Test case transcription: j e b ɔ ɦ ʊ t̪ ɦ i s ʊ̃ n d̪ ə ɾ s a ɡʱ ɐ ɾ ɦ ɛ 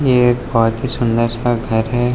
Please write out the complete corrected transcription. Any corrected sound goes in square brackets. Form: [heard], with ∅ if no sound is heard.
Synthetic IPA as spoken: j e b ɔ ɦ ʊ t̪ ɦ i s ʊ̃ n d̪ ə ɾ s a ɡʱ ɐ ɾ ɦ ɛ